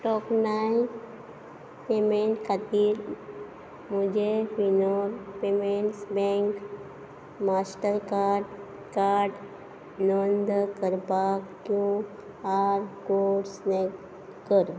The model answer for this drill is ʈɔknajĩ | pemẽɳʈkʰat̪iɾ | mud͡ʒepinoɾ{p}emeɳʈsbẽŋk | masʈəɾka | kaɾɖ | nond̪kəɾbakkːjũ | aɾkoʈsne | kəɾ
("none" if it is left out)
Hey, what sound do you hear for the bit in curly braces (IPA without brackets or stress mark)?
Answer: p